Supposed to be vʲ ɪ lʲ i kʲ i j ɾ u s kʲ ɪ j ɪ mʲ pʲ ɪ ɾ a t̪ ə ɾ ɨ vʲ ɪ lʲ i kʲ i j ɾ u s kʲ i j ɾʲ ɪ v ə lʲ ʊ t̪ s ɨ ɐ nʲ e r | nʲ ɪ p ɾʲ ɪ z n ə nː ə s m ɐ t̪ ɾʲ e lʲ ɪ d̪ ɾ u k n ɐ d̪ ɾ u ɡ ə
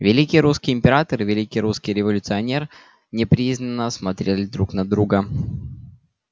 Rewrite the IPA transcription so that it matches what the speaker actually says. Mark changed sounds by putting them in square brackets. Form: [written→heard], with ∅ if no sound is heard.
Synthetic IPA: vʲ ɪ lʲ i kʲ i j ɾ u s kʲ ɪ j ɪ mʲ pʲ ɪ ɾ a t̪ ə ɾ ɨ vʲ ɪ lʲ i kʲ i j ɾ u s kʲ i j ɾʲ ɪ v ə lʲ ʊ t̪ s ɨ ɐ nʲ e r | nʲ ɪ p ɾʲ [ɪ→i] z n ə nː ə s m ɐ t̪ ɾʲ e lʲ ɪ d̪ ɾ u k n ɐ d̪ ɾ u ɡ ə